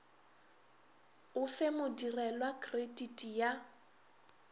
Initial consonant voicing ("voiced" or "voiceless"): voiceless